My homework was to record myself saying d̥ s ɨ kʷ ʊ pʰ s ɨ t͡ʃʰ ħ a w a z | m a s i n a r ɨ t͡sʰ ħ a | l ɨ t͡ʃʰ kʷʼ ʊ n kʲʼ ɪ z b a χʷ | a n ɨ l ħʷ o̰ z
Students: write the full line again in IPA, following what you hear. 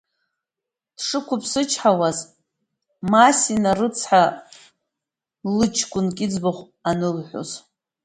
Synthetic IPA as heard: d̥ ʂ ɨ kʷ ʊ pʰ s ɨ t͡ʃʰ ħ a w a z | m a s i n a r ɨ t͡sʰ ħ a | l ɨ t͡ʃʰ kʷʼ ʊ n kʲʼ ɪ d͡z b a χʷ | a n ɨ l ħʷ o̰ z